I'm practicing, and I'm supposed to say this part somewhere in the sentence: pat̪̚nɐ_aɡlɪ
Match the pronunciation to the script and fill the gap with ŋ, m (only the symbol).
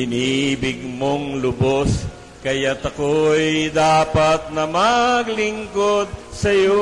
m